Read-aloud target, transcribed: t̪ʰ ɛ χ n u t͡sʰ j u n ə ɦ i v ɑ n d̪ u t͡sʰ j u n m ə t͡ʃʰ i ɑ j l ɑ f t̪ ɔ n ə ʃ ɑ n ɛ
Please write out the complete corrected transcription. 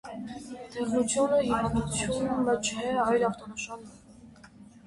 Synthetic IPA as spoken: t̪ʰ ɛ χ n u t͡sʰ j u n ə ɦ i v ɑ n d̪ u t͡sʰ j u n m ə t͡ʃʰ ɛ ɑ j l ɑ f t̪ ɔ n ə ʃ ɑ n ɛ